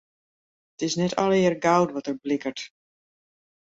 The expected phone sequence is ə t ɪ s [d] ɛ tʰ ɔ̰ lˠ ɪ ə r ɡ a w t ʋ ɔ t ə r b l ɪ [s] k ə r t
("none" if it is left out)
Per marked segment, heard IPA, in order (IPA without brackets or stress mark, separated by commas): n, none